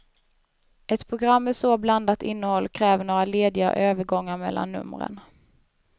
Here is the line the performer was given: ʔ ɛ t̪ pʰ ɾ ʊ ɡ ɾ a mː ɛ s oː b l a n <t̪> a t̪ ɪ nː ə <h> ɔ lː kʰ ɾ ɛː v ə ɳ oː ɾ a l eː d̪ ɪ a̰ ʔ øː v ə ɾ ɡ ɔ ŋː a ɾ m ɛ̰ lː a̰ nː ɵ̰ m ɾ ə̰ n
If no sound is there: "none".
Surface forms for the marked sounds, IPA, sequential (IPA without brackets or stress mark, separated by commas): d̪, h